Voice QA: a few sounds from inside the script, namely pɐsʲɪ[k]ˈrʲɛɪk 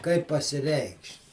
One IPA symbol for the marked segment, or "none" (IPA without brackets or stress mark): none